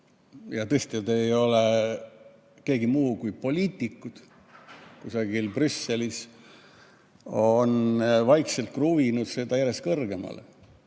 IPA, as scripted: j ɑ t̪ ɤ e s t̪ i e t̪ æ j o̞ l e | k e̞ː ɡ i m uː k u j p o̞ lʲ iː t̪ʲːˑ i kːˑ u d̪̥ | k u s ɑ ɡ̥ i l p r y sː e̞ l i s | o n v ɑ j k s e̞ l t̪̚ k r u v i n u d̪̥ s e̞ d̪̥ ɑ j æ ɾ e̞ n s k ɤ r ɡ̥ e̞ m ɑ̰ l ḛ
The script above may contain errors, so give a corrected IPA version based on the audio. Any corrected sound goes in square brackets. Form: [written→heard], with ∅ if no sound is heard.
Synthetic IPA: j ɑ t̪ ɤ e s t̪ i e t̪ [æ→e] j o̞ l e | k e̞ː ɡ i m uː k u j p o̞ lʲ iː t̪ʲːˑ i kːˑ u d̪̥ | k u s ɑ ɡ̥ i l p r y sː e̞ l i s | o n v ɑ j k s e̞ l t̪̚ k r u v i n u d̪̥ s e̞ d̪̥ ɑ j æ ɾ e̞ [n→∅] s k ɤ r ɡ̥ e̞ m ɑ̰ l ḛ